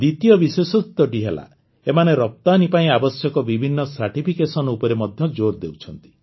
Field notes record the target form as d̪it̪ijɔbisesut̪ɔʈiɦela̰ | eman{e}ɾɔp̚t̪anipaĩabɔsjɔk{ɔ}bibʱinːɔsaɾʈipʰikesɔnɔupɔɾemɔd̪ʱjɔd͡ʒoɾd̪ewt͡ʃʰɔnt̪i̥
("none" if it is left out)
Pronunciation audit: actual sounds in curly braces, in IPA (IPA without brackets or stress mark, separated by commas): e, ɔ